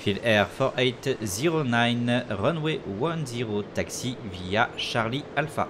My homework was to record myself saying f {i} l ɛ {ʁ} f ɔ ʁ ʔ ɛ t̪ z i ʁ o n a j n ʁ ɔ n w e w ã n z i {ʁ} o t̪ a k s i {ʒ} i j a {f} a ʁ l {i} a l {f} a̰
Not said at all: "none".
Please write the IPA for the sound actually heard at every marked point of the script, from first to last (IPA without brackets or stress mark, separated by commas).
i, ʁ, ʁ, v, ʃ, i, f